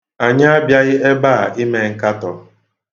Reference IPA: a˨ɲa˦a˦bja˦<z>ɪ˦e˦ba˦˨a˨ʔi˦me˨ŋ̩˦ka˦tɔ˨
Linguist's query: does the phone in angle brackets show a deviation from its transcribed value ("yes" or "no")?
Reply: yes